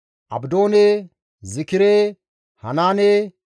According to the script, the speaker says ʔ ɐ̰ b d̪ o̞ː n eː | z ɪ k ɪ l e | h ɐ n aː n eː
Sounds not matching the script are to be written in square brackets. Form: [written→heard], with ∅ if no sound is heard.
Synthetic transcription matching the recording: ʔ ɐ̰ b d̪ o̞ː n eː | z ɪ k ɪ [l→ɾ] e | h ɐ n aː n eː